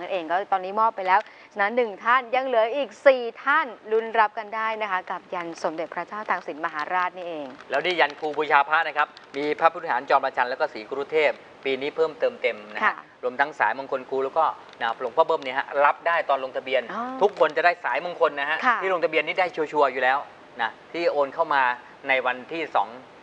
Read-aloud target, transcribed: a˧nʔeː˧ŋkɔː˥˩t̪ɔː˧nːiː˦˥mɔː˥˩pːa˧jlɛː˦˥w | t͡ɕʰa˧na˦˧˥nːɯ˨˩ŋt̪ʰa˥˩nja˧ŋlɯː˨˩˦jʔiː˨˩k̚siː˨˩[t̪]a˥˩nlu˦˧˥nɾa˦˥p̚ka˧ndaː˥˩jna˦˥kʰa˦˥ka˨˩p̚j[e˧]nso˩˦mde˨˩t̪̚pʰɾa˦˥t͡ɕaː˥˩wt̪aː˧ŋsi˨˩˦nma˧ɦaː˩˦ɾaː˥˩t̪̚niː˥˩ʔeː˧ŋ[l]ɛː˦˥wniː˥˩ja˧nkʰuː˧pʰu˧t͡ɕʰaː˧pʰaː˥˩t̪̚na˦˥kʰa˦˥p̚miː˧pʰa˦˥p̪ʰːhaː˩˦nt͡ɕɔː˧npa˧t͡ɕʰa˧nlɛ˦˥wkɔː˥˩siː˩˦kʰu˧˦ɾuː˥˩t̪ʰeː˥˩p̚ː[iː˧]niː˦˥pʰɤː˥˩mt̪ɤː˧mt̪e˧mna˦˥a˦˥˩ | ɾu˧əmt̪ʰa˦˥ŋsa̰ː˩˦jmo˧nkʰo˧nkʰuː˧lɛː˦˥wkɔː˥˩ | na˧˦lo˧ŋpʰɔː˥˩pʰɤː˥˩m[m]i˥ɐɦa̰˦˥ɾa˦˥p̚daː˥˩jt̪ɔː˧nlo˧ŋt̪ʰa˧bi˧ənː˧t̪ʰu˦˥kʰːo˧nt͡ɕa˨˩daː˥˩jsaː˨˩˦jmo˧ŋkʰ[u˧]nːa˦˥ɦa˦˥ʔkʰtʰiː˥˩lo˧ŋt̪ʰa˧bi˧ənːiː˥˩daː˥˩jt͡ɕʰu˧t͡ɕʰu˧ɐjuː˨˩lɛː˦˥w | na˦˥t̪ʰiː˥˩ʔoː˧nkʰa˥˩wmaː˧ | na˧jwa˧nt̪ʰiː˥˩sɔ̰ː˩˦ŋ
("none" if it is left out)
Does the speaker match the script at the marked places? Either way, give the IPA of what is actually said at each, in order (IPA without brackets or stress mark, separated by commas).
t̪ʰ, a˧, l, iː˧, n, o˧